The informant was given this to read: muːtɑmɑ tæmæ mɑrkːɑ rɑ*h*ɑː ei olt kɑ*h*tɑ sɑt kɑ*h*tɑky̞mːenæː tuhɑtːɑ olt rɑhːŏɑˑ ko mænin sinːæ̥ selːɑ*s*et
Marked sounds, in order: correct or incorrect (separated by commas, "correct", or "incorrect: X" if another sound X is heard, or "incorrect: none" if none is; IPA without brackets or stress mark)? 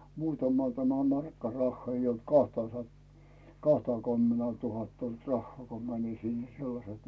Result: incorrect: hː, correct, correct, correct